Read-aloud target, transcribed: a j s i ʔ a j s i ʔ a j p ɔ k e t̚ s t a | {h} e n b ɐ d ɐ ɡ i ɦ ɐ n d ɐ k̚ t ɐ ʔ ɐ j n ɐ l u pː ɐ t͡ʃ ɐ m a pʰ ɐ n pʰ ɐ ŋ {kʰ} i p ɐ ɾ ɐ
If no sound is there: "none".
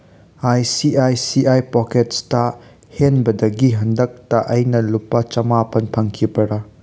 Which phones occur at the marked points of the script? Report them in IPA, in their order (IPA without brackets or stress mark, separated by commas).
h, kʰ